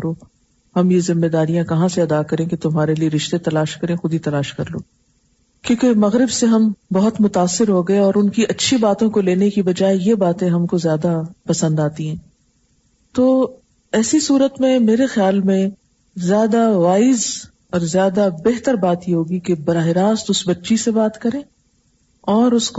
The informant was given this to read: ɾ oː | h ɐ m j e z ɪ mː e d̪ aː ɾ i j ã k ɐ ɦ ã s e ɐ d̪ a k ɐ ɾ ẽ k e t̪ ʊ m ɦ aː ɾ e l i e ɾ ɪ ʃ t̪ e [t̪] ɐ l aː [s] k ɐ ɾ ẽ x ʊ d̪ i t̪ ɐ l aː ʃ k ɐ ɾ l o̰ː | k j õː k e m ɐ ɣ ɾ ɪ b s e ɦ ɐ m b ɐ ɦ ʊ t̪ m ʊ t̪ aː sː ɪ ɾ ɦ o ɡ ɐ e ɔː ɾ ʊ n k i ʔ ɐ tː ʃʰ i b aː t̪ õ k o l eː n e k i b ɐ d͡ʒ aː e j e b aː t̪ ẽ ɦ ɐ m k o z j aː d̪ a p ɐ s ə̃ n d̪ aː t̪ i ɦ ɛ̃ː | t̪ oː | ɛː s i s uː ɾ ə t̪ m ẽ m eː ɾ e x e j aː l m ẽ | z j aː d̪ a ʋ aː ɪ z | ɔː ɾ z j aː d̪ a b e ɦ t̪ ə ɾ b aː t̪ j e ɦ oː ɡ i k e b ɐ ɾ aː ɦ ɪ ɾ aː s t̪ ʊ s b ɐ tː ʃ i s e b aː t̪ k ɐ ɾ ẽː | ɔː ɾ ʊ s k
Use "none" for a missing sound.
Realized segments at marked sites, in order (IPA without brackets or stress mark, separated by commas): t̪, ʃ